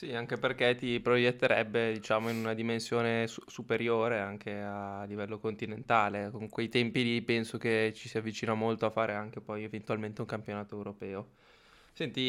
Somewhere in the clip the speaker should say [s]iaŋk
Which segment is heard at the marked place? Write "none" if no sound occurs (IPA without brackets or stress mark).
s